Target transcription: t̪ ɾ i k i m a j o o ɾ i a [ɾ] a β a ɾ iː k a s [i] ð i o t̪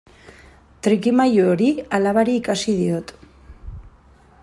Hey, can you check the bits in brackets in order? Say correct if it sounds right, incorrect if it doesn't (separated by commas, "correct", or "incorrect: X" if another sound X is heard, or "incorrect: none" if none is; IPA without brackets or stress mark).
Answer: incorrect: l, correct